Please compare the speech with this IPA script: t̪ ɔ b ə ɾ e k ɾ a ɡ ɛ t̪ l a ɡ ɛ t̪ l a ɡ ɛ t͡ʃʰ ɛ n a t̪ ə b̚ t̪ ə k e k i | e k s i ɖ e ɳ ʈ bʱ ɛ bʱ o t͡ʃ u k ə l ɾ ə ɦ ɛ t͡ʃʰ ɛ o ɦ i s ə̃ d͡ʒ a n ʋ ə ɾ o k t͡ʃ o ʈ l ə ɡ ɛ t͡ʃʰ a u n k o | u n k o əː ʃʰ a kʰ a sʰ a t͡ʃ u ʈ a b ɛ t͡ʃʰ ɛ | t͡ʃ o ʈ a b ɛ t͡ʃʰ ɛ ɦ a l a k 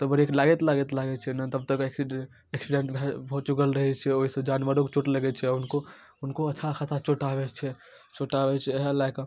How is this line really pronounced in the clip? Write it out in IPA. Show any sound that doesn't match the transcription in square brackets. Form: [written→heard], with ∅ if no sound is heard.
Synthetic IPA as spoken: t̪ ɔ b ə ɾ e k [ɾ→l] a ɡ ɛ t̪ l a ɡ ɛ t̪ l a ɡ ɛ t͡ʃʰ ɛ n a t̪ ə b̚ t̪ ə k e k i | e k s i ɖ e ɳ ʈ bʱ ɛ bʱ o t͡ʃ u k ə l ɾ ə ɦ ɛ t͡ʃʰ ɛ o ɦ i s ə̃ d͡ʒ a n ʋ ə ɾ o k t͡ʃ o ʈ l ə ɡ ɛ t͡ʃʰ [a→ɛ] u n k o | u n k o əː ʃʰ a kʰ a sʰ a t͡ʃ [u→o] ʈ a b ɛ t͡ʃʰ ɛ | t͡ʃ o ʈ a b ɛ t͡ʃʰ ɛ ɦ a l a k